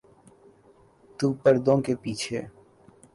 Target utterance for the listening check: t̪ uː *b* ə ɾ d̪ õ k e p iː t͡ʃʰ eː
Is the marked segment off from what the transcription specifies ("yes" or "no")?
yes